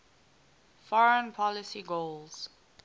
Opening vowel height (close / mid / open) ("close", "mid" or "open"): mid